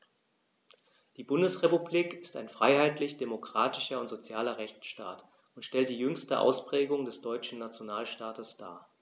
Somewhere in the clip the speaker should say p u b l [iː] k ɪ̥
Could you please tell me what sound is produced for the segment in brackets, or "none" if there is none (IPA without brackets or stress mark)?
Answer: iː